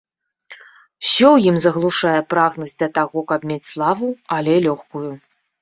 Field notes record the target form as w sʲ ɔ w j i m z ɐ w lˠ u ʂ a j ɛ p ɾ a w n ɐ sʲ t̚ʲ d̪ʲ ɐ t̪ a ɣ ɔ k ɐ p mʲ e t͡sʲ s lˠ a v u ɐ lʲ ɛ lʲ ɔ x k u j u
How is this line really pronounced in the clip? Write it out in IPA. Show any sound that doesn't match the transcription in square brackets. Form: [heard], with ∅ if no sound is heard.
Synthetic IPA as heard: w sʲ ɔ w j i m z ɐ [ɣ] lˠ u ʂ a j ɛ p ɾ a [ɣ] n ɐ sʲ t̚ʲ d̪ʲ ɐ t̪ a ɣ ɔ k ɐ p mʲ e t͡sʲ s lˠ a v u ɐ lʲ ɛ lʲ ɔ x k u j u